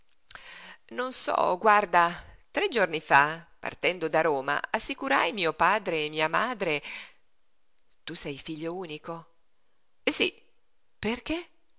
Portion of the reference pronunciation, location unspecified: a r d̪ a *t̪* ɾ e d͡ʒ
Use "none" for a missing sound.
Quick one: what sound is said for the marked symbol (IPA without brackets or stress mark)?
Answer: t̪